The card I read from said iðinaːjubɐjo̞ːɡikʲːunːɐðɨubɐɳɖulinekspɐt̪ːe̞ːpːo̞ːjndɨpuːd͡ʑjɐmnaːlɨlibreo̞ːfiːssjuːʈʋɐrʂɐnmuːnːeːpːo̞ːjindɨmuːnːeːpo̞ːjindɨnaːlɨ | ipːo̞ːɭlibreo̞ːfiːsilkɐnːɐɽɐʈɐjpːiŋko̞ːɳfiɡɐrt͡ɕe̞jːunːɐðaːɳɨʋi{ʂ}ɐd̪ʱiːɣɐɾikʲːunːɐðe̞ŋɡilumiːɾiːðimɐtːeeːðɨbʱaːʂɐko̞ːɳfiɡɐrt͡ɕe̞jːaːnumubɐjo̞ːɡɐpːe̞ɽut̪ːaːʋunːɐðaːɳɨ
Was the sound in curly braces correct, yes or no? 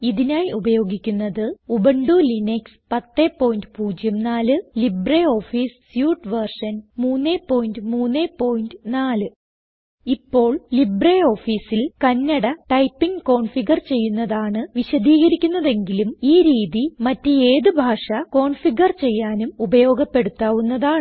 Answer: no